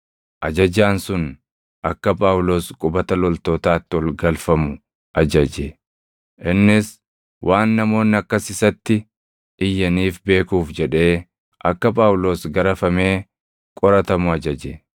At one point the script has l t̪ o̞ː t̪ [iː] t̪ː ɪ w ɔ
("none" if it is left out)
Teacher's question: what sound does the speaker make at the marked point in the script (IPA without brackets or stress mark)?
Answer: aː